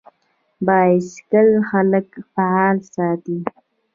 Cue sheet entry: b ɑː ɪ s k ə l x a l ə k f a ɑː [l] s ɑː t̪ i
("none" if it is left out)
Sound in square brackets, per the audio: l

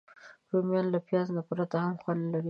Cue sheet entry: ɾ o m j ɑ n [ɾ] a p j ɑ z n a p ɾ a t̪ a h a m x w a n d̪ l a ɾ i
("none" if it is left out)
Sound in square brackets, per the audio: l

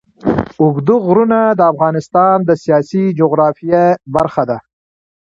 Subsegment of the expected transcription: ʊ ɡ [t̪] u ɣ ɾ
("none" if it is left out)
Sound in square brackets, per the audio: d̪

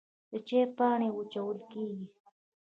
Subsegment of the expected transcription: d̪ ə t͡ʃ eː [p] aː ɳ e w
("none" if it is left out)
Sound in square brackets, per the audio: p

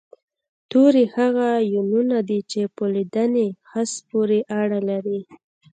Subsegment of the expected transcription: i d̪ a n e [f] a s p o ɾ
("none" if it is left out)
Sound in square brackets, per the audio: x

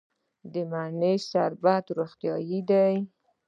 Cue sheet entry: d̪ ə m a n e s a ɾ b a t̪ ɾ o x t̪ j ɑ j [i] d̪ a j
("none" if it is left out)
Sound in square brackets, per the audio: i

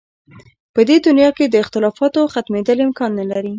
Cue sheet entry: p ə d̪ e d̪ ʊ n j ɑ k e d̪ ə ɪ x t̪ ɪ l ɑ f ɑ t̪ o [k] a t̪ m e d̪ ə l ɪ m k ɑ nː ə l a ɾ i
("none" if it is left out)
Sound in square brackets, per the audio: x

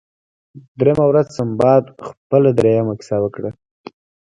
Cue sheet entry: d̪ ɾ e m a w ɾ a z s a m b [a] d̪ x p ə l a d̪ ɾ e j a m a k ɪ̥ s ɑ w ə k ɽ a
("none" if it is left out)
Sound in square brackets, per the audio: ɑ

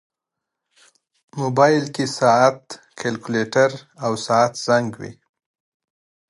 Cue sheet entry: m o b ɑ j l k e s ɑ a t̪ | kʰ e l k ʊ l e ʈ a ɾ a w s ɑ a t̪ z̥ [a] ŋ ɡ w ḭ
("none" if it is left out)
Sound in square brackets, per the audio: a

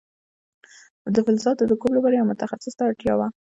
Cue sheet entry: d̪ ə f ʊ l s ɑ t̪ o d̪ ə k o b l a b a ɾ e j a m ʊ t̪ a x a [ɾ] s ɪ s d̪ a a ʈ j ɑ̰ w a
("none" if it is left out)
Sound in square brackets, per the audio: none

